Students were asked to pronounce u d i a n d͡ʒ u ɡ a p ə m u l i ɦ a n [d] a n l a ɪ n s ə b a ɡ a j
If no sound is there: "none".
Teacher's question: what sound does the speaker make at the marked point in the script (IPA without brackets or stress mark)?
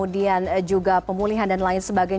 d